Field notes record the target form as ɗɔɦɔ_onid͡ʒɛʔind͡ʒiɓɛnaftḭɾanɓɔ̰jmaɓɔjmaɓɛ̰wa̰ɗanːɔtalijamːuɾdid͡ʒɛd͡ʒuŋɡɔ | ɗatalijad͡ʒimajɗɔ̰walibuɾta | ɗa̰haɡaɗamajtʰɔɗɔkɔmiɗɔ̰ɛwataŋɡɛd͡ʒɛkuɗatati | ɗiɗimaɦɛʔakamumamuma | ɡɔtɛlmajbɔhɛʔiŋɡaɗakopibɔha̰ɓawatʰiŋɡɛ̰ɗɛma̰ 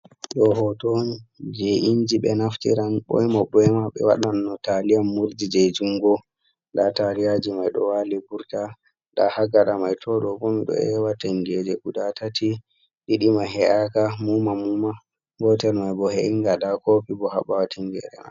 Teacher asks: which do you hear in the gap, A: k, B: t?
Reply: B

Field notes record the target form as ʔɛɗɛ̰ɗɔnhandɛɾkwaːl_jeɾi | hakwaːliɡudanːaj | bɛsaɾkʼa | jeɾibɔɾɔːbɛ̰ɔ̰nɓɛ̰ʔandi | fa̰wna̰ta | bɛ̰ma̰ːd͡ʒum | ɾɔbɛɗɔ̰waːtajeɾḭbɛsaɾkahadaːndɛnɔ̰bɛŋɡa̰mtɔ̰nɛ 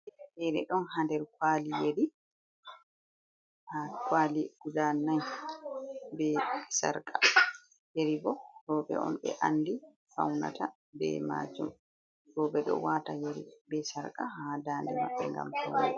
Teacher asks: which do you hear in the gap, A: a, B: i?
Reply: B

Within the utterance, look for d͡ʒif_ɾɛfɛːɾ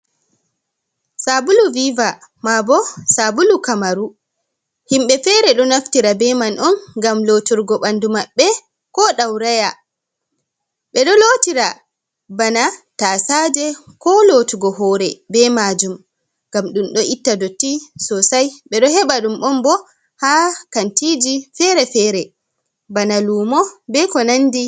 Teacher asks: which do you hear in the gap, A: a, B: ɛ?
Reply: B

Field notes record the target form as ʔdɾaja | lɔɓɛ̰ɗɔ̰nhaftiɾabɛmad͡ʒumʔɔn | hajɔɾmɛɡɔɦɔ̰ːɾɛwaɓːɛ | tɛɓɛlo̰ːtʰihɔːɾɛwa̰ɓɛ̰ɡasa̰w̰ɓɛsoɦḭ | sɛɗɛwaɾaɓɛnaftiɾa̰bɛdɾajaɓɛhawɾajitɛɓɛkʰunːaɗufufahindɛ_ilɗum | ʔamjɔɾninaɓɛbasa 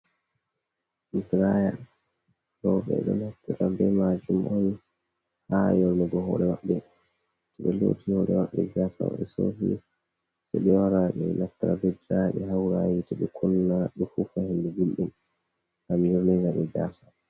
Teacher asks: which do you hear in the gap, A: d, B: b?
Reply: B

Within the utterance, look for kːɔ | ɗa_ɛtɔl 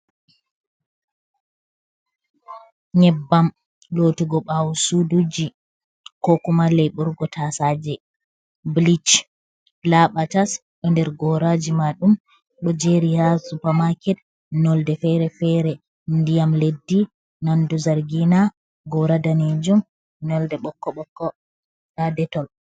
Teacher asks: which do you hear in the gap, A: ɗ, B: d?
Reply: B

